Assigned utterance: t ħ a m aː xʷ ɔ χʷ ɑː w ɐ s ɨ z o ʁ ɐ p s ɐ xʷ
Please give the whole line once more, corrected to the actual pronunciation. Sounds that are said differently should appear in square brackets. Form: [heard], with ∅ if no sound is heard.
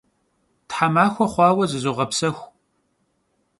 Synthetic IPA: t ħ a m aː xʷ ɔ χʷ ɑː w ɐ [z] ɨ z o ʁ ɐ p s ɐ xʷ